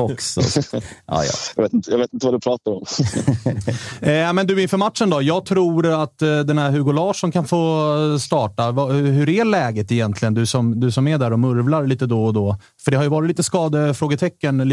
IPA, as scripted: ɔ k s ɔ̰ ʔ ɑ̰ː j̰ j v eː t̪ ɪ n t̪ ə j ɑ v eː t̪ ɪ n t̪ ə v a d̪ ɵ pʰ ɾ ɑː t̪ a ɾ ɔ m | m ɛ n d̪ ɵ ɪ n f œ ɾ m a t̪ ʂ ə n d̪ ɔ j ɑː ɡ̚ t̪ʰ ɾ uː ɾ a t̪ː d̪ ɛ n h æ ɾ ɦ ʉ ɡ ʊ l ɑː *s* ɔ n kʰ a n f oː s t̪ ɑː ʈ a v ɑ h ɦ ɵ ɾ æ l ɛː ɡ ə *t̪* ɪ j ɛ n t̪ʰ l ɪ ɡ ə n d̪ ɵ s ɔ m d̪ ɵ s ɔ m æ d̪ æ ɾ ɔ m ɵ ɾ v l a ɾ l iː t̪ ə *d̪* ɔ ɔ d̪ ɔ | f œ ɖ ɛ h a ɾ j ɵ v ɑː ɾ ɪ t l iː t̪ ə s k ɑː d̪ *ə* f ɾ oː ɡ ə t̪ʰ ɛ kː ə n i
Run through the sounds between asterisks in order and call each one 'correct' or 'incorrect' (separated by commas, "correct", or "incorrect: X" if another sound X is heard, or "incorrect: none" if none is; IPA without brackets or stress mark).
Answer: incorrect: ʂ, correct, correct, correct